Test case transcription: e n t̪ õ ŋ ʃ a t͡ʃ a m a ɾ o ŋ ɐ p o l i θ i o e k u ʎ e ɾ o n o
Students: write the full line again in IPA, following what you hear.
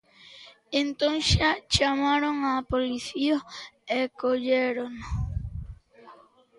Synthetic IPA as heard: e n t̪ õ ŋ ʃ a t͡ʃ a m a ɾ o ŋ a p o l i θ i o e k o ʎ e ɾ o n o